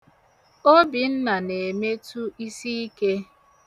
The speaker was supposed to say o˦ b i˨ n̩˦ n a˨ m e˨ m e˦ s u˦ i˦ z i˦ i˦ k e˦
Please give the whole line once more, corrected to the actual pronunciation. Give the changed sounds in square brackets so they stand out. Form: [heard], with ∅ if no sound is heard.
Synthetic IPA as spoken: o˦ b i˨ n̩˦ n a˨ [n] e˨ m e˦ [t] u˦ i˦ [s] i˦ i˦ k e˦